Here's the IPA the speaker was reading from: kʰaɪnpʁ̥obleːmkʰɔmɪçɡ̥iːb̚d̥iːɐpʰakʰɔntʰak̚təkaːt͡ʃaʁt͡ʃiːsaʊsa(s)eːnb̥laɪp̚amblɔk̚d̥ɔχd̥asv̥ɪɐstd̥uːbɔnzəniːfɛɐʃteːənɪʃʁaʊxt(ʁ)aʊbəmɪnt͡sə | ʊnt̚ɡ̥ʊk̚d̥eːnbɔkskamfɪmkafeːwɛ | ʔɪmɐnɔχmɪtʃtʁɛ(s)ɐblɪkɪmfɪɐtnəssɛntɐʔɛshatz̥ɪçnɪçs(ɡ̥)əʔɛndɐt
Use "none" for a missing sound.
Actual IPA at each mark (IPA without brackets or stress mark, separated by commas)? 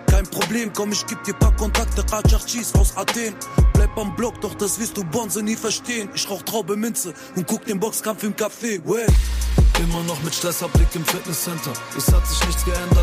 t, ʁ, s, ɡ̥